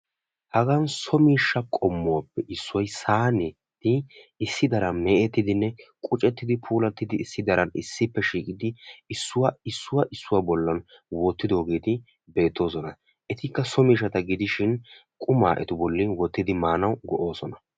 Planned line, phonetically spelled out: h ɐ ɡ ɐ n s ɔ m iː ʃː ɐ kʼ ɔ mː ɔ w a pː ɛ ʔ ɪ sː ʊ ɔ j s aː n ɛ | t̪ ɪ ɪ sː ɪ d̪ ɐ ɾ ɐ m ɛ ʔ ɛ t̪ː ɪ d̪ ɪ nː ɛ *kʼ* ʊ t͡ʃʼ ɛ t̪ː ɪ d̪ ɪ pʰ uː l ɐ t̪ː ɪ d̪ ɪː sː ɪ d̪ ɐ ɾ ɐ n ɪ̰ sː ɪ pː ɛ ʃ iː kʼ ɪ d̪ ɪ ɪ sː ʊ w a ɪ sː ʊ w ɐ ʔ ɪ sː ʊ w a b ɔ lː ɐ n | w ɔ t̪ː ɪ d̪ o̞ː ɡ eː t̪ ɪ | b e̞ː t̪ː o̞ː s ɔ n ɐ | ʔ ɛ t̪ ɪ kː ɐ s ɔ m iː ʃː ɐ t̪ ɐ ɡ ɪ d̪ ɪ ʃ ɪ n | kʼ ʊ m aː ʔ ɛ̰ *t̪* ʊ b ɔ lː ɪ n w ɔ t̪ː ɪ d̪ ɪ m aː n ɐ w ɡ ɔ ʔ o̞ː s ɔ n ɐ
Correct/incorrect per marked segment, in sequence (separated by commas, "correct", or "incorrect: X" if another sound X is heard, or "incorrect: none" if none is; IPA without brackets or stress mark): correct, correct